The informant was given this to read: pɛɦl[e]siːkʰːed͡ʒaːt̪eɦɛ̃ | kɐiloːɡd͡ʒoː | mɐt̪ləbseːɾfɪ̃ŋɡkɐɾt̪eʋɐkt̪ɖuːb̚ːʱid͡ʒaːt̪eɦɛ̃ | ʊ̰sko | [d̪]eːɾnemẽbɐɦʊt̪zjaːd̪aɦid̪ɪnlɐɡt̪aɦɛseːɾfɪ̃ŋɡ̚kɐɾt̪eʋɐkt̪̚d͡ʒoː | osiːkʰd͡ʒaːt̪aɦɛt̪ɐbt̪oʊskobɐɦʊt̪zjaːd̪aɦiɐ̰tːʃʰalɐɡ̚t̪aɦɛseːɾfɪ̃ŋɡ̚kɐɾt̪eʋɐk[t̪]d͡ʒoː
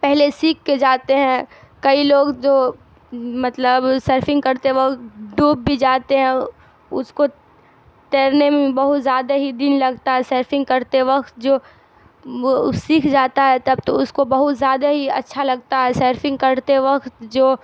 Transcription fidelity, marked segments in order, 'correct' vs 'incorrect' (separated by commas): correct, incorrect, correct